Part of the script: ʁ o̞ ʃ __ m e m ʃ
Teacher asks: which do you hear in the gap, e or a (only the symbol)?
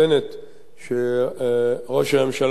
a